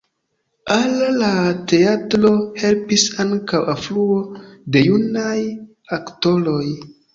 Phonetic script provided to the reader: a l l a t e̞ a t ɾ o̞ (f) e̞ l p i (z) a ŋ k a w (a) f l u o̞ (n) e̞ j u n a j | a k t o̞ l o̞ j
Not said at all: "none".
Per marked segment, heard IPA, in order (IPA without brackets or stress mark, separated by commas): h, s, a, d